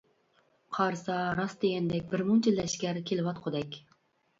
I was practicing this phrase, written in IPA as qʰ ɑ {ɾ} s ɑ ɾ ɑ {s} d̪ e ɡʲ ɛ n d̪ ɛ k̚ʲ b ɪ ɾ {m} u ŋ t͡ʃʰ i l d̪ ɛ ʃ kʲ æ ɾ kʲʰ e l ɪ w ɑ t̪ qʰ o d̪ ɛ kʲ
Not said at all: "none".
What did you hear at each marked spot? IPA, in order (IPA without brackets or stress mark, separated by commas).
ɾ, s, m